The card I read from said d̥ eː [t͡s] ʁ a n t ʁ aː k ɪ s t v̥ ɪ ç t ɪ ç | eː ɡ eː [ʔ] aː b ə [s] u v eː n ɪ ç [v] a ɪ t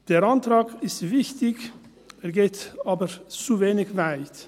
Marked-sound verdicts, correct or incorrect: incorrect: none, incorrect: t, incorrect: t͡s, correct

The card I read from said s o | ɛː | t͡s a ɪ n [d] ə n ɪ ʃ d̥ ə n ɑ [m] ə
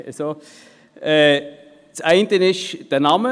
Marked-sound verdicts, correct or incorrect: incorrect: t, correct

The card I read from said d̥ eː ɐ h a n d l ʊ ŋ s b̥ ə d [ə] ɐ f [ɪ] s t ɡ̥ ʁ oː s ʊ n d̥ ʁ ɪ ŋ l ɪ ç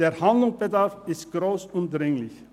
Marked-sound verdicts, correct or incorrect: incorrect: a, correct

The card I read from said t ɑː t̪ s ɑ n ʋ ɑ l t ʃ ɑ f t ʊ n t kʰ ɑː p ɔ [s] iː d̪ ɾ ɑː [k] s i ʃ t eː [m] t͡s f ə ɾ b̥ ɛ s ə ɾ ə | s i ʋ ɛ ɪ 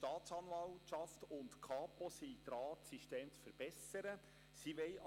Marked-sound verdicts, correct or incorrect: correct, incorrect: t, correct

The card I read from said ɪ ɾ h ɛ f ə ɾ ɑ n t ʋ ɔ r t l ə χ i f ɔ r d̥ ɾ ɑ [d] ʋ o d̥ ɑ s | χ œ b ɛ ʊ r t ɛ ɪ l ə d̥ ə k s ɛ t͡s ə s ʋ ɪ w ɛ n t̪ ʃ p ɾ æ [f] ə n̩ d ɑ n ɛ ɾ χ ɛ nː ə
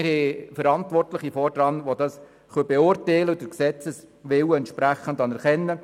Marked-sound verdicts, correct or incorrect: incorrect: n, incorrect: χ

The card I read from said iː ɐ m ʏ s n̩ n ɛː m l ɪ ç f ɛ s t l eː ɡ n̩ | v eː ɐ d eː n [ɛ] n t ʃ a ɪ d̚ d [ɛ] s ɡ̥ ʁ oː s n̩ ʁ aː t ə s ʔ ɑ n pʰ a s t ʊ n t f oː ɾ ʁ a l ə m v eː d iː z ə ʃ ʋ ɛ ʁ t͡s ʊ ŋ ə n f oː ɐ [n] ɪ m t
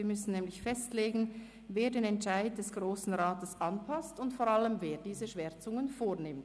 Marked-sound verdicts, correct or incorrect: correct, correct, correct

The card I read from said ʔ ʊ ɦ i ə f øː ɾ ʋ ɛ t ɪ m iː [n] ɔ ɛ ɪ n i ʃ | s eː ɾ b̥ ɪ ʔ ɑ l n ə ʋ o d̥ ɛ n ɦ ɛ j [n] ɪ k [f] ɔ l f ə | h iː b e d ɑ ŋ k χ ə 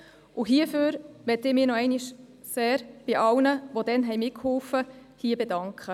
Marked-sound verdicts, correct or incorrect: correct, incorrect: m, incorrect: h

